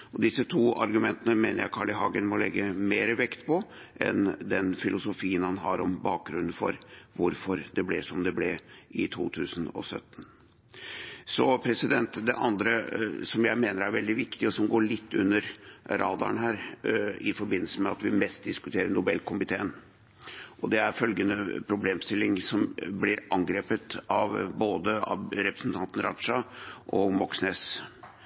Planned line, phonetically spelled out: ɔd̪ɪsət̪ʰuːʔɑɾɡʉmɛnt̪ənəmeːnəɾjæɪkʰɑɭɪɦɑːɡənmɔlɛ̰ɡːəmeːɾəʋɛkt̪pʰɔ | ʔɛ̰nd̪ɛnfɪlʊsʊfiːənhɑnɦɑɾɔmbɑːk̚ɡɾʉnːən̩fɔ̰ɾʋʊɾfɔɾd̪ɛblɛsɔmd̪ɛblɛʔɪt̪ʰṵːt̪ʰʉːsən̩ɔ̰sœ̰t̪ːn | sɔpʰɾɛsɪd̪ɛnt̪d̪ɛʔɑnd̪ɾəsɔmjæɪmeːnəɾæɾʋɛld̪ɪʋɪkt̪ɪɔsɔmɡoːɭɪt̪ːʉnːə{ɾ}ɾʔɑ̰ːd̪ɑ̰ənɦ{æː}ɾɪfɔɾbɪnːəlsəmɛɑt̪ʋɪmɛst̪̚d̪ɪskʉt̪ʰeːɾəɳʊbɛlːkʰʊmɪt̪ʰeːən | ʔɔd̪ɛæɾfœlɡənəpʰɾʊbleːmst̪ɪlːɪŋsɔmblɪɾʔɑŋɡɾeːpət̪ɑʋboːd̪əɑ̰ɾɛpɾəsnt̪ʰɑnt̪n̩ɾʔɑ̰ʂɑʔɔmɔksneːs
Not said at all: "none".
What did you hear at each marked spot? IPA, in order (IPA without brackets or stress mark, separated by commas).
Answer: ɾ, æː